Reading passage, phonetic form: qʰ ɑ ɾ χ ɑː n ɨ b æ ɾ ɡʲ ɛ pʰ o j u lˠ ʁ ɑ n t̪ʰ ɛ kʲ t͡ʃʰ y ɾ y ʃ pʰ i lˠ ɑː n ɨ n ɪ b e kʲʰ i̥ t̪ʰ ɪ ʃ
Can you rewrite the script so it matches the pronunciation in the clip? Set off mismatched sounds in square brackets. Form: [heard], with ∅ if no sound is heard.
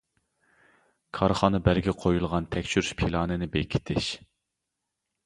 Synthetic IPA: [kʰ] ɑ ɾ χ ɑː n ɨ b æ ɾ ɡʲ ɛ [qʰ] o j u lˠ ʁ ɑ n t̪ʰ ɛ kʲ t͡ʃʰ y ɾ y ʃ pʰ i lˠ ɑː n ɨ n ɪ b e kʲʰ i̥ t̪ʰ ɪ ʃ